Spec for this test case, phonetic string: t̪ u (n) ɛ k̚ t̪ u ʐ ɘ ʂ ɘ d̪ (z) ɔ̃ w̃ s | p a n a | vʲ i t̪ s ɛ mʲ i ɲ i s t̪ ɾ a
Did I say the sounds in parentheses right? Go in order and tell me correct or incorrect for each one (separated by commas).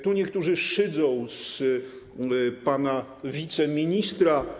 incorrect, correct